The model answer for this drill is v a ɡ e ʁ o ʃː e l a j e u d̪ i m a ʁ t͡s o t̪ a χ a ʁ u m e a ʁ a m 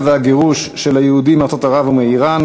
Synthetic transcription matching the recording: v a ɡ e ʁ u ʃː e l a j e u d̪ i m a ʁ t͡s o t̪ a ʁ a v u m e i ʁ a n